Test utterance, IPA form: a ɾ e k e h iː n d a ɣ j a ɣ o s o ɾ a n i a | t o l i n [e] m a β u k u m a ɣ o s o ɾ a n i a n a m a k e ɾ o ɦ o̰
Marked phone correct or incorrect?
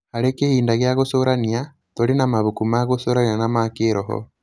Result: incorrect